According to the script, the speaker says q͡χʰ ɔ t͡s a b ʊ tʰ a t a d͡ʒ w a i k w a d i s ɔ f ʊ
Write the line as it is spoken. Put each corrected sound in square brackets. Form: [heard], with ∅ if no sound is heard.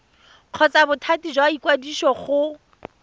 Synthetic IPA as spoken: q͡χʰ ɔ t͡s a b ʊ tʰ a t [i] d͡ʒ w a i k w a d i [ʃ] ɔ [χ] ʊ